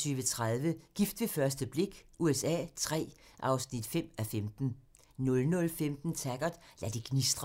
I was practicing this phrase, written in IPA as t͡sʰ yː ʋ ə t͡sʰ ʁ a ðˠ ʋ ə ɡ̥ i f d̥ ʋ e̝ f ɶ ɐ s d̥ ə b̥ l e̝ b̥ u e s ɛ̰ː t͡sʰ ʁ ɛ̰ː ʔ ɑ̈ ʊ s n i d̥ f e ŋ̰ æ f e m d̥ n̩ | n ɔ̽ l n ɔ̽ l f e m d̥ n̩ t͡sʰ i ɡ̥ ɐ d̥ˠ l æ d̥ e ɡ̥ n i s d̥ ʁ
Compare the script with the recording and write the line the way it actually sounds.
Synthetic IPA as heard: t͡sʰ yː ʋ ə t͡sʰ ʁ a ðˠ ʋ ə ɡ̥ i f d̥ ʋ e̝ f ɶ ɐ s d̥ ə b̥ l e̝ ɡ̥ u e s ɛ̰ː t͡sʰ ʁ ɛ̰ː ʔ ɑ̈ ʊ s n i d̥ f e m̰ æ f e m d̥ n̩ | n ɔ̽ l n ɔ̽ l f e m d̥ n̩ t͡sʰ æ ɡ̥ ɐ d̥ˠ l æ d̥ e ɡ̥ n i s d̥ ʁ

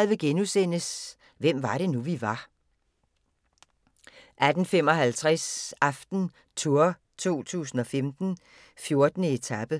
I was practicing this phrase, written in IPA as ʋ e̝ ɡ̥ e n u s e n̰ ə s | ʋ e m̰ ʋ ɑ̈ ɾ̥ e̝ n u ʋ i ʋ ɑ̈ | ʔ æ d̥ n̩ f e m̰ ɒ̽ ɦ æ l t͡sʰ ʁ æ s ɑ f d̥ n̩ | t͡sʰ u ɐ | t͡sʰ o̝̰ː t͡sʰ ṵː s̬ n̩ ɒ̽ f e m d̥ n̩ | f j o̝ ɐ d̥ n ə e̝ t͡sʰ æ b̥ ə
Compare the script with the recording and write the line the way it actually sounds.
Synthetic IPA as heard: ʋ e̝ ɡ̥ e n u s e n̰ ə s | ʋ e m̰ ʋ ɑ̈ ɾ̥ e̝ n u ʋ i ʋ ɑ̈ | ʔ æ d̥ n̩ f e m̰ ɒ̽ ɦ æ l t͡sʰ ʁ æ s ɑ f d̥ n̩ | t͡sʰ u ɐ | t͡sʰ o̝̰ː t͡sʰ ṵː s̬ n̩ ɒ̽ f e m d̥ n̩ | f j o̝ ɐ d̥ n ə e̝ t͡sʰ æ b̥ ə

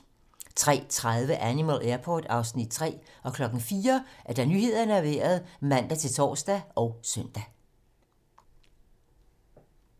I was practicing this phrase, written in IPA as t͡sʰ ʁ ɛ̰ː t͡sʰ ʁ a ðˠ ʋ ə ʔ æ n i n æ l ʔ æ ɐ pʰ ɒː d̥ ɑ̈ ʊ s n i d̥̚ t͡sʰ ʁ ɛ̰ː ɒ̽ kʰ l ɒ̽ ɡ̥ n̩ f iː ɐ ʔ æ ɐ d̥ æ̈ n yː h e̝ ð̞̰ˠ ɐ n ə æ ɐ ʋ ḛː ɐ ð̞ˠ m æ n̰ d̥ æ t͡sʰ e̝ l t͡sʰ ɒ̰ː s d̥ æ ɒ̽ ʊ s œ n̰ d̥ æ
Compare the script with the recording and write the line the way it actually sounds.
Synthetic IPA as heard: t͡sʰ ʁ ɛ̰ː t͡sʰ ʁ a ðˠ ʋ ə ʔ æ n i m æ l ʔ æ ɐ pʰ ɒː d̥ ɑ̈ ʊ s n i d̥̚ t͡sʰ ʁ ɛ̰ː ɒ̽ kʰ l ɒ̽ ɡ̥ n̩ f iː ɐ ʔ æ ɐ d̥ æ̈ n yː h e̝ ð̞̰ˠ ɐ n ə æ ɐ ʋ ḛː ɐ ð̞ˠ m æ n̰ d̥ æ t͡sʰ e̝ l t͡sʰ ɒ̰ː s d̥ æ ɒ̽ ʊ s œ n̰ d̥ æ

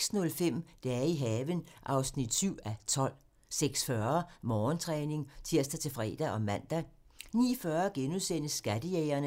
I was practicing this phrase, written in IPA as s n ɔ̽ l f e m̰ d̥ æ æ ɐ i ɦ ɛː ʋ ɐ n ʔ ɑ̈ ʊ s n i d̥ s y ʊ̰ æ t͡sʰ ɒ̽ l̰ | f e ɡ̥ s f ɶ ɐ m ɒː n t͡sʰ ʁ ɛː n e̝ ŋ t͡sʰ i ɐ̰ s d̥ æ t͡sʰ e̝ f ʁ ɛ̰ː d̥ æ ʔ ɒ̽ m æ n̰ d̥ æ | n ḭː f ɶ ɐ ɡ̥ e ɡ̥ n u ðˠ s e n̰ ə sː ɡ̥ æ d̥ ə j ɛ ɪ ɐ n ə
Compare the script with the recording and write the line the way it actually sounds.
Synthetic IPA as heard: s n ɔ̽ l f e m̰ d̥ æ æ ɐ i ɦ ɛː ʋ ə n ʔ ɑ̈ ʊ s n i d̥ s y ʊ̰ æ t͡sʰ ɒ̽ l̰ | s e ɡ̥ s f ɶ ɐ m ɒː n t͡sʰ ʁ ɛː n e̝ ŋ t͡sʰ i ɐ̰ s d̥ æ t͡sʰ e̝ f ʁ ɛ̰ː d̥ æ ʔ ɒ̽ m æ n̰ d̥ æ | n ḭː f ɶ ɐ ɡ̥ e n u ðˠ s e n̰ ə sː ɡ̥ æ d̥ ə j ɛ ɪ ɐ n ə

